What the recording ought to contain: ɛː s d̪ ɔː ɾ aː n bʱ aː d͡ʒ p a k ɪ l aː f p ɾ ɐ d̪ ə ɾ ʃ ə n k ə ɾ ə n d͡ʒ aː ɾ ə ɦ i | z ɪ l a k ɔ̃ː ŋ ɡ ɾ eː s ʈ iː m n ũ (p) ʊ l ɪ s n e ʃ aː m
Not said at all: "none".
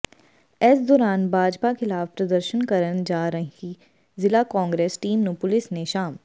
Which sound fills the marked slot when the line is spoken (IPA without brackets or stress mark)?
p